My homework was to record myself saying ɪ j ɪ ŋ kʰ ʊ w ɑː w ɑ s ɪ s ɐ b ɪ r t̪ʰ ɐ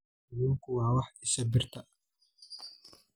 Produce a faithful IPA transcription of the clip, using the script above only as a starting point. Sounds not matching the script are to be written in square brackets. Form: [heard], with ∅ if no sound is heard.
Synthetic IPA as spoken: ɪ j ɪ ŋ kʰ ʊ w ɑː w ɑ [ħ] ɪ s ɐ b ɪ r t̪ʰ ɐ